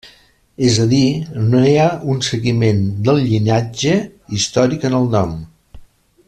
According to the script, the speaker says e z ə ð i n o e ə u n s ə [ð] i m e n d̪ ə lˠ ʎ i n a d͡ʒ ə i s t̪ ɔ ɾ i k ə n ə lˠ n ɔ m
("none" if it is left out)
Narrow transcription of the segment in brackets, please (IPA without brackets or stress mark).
ɣ